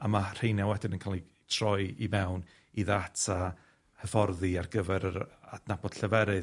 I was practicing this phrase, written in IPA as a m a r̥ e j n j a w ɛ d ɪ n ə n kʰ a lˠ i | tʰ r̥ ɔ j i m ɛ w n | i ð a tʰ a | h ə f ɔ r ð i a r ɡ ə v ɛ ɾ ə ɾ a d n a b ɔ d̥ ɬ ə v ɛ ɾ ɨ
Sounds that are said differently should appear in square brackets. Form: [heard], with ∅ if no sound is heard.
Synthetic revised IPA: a m a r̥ e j n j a w ɛ d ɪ n ə n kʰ a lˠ i | tʰ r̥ ɔ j i m ɛ w n | i ð a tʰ a | h ə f ɔ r ð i a r ɡ ə v ɛ ɾ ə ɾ a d n a b ɔ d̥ ɬ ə v ɛ ɾ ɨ